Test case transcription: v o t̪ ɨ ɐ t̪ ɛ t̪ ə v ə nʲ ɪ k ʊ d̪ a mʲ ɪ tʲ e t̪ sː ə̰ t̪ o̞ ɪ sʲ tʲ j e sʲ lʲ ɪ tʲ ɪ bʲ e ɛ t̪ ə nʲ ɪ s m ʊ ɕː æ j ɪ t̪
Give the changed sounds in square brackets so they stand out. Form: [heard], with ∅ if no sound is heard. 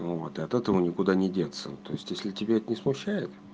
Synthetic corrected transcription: v o t̪ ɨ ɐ t̪ ɛ t̪ ə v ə nʲ ɪ k ʊ d̪ a [nʲ] ɪ [dʲ] e t̪ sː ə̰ t̪ o̞ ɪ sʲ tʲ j e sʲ lʲ ɪ tʲ ɪ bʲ e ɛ t̪ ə nʲ ɪ s m ʊ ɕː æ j ɪ t̪